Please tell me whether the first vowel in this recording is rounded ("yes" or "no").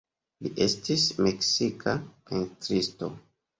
no